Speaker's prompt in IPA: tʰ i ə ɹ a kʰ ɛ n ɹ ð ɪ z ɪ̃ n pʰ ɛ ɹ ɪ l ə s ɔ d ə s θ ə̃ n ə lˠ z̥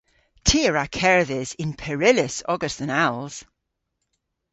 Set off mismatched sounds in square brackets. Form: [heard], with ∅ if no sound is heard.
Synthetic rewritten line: tʰ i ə ɹ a kʰ ɛ [∅] ɹ ð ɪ z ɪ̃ n pʰ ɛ ɹ ɪ l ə s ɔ [ɡ] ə s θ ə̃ n [a] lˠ z̥